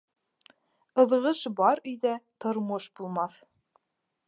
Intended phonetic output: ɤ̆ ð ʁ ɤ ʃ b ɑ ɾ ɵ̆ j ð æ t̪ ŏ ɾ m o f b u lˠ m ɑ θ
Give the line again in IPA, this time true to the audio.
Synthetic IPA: ɤ̆ ð ʁ ɤ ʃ b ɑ ɾ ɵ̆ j ð æ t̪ ŏ ɾ m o ʃ b u lˠ m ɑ θ

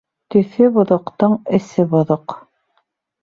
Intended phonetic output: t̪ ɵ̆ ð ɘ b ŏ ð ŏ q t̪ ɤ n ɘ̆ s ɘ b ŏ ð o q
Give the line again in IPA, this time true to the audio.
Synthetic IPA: t̪ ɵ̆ θ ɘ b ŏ ð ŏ q t̪ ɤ ɴ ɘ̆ s ɘ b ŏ ð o q

